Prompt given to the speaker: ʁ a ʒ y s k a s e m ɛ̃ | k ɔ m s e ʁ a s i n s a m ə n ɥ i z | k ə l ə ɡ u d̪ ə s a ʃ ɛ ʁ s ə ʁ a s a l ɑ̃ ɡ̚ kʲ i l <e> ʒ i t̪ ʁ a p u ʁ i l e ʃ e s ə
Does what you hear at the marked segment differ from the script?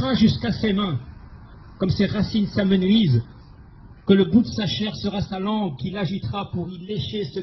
yes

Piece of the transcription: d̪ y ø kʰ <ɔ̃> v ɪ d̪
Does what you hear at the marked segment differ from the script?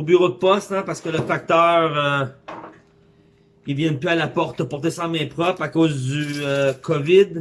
yes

